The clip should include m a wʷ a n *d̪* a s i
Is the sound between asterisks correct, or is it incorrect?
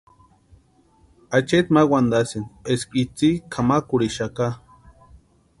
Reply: correct